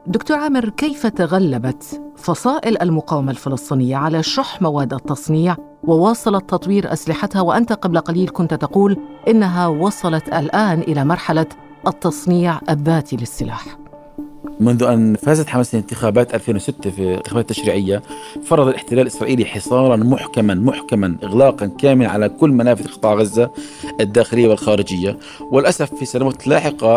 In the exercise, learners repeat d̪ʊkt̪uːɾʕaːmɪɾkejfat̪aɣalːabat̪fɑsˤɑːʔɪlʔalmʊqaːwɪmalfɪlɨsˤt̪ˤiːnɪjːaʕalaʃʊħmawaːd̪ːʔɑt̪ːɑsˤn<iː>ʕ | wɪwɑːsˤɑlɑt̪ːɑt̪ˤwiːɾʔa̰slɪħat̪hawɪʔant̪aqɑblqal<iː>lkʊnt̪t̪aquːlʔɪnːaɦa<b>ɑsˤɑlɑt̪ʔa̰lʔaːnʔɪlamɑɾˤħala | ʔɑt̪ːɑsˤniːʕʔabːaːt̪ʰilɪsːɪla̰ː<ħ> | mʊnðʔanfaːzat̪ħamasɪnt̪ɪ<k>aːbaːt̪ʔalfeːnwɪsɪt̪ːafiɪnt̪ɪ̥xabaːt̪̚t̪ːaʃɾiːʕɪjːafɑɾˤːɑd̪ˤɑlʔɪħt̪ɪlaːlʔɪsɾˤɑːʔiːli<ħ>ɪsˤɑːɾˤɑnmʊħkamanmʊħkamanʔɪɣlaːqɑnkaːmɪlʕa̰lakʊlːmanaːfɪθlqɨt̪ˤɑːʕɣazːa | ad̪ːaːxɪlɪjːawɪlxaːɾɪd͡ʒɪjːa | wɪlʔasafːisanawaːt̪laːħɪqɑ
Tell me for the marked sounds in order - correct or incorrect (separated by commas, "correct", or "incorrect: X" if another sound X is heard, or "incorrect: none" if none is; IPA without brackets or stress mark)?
correct, correct, incorrect: w, correct, incorrect: x, correct